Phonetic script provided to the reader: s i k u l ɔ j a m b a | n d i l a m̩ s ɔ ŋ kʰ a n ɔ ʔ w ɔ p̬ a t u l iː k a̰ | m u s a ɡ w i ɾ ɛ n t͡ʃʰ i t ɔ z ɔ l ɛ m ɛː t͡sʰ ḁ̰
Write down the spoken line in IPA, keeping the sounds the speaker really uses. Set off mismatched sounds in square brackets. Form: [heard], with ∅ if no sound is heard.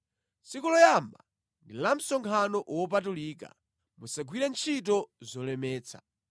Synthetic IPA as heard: s i k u l ɔ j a m b a | n d i l a m̩ s ɔ ŋ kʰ a n ɔ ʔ w ɔ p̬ a t u l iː k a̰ | m u s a ɡ w i ɾ ɛ n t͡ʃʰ i t ɔ z ɔ l ɛ m ɛː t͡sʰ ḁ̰